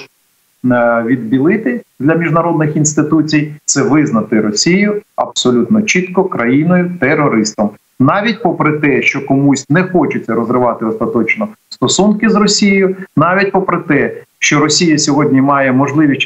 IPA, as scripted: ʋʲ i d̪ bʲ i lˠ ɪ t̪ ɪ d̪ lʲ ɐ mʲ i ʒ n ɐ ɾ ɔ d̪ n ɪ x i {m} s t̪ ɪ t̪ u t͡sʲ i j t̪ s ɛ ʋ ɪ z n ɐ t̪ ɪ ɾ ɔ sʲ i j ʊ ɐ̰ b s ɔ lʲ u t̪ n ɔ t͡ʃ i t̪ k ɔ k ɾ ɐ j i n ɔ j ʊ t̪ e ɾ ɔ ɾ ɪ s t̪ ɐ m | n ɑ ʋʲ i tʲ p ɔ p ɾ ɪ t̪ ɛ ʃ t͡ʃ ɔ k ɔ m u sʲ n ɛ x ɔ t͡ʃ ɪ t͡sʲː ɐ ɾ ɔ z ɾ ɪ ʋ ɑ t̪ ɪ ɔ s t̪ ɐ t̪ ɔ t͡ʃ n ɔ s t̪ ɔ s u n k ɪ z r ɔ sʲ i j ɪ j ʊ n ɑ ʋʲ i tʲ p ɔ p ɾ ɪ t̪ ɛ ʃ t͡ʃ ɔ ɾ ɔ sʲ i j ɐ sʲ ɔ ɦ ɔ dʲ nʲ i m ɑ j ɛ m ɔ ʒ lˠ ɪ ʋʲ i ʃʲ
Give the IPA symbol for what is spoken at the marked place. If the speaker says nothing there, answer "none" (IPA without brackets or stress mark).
n